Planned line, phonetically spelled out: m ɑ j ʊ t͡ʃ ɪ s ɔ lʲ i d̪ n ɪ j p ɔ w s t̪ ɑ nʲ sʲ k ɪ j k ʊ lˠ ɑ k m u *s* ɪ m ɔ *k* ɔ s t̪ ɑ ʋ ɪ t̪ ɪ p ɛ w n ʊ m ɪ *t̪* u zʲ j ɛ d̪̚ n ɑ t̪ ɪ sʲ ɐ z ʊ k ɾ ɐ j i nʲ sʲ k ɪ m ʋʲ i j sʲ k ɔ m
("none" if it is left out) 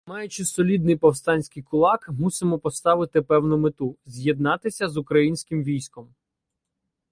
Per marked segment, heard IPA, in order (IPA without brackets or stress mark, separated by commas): s, p, t̪